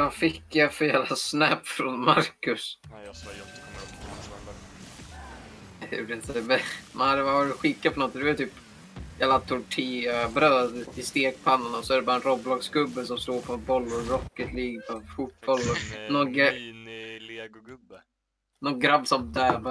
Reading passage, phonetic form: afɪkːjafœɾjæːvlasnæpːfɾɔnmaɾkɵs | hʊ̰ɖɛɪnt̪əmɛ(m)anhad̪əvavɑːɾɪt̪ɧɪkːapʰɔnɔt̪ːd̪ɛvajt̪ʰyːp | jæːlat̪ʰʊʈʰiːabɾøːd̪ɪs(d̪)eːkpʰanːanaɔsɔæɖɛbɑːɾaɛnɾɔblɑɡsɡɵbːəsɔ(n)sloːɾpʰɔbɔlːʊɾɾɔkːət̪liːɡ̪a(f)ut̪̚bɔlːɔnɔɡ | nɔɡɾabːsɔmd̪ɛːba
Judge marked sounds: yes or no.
yes, no, no, yes

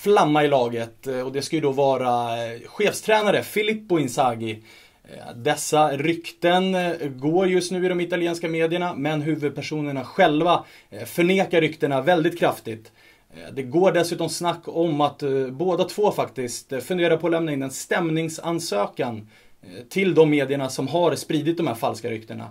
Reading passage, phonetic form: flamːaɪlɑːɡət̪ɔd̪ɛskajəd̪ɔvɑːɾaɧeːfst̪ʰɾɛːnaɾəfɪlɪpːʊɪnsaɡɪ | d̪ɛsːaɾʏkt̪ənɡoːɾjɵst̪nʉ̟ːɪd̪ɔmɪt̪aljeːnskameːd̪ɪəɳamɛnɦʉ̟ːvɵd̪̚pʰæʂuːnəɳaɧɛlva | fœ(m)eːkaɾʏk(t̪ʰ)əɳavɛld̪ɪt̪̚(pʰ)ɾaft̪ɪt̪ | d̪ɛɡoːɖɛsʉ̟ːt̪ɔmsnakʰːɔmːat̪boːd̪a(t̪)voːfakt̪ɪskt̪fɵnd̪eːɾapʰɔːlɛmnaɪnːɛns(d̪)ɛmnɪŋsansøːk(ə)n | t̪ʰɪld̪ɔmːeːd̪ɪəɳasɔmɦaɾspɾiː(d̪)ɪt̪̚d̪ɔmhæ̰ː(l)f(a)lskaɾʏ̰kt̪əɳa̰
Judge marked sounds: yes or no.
no, no, no, no, no, no, yes, no, yes

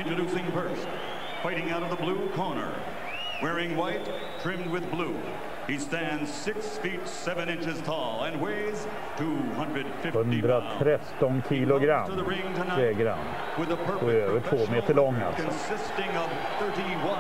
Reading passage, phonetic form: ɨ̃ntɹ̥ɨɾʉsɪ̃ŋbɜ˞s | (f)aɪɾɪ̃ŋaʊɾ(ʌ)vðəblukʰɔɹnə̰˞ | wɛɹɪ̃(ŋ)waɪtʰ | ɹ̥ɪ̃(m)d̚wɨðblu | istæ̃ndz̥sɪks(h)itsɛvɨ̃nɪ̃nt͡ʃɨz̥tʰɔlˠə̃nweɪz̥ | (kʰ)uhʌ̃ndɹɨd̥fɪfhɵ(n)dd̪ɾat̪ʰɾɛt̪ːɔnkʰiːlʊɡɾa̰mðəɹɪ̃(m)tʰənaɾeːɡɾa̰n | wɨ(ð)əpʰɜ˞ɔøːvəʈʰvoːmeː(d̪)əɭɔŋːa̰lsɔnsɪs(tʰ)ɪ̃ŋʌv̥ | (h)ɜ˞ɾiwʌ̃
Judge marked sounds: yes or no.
yes, yes, yes, yes, no, no, yes, no, yes, no, no, no

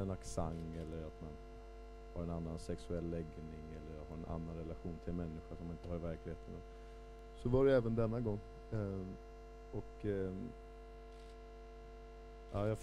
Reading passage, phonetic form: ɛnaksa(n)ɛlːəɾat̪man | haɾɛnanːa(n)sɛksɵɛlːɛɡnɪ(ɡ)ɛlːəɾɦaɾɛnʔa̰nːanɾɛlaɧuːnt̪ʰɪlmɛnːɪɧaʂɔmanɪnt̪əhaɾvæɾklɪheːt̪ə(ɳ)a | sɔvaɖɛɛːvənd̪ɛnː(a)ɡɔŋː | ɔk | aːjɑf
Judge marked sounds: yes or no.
no, yes, no, no, yes

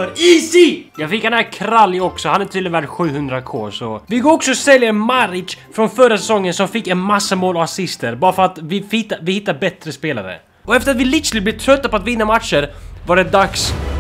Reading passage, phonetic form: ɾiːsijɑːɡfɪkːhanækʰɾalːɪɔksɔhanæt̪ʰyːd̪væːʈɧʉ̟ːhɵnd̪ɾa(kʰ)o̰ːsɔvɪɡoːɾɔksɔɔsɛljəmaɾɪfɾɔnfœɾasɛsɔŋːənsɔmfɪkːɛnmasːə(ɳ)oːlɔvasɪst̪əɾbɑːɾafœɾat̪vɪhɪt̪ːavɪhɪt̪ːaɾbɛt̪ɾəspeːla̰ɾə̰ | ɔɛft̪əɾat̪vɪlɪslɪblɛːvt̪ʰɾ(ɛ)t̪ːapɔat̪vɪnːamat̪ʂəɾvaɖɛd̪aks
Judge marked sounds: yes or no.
yes, no, no

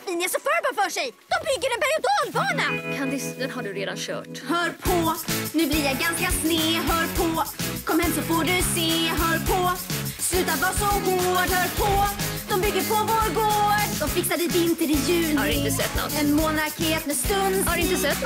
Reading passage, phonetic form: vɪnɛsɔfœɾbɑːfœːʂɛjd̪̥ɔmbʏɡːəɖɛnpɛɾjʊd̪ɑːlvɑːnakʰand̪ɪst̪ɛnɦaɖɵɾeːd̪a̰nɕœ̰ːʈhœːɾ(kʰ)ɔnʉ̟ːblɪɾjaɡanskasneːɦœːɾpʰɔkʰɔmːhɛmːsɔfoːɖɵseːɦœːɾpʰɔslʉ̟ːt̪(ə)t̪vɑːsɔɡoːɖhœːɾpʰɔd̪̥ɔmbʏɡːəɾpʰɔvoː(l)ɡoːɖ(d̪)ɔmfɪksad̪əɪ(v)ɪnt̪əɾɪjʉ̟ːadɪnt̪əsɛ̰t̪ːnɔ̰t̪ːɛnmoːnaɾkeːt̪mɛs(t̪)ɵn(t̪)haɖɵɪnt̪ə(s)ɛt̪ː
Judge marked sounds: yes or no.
no, no, no, yes, yes, yes, no, yes

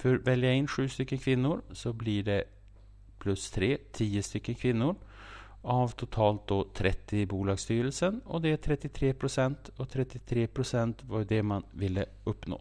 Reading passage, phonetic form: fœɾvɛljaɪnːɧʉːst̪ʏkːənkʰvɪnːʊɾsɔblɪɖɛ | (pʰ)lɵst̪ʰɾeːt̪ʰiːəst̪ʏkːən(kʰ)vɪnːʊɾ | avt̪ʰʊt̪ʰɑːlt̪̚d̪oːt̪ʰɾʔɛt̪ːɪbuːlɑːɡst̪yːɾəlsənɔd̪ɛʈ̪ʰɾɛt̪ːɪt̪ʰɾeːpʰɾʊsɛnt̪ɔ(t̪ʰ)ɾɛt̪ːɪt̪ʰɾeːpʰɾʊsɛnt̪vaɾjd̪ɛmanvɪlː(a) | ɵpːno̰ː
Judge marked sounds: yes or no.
yes, yes, yes, no

